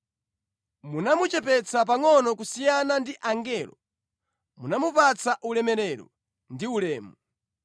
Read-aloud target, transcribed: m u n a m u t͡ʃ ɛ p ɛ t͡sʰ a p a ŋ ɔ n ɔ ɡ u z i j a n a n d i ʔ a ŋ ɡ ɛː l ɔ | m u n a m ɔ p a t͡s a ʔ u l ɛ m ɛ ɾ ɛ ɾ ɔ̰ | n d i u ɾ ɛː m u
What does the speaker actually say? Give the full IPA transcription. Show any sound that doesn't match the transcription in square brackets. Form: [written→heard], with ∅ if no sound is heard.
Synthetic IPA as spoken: m u n a m u t͡ʃ ɛ p ɛ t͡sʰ a p a ŋ ɔ n ɔ [ɡ→k] u [z→s] i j a n a n d i ʔ a ŋ ɡ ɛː l ɔ | m u n a m [ɔ→u] p a t͡s a ʔ u l ɛ m ɛ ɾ ɛ ɾ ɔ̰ | n d i u [ɾ→l] ɛː m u